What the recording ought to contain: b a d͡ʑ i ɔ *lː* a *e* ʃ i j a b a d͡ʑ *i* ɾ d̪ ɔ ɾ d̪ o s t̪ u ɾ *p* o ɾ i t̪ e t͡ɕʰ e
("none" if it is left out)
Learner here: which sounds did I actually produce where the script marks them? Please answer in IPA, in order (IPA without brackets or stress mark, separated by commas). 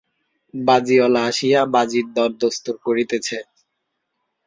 l, a, i, k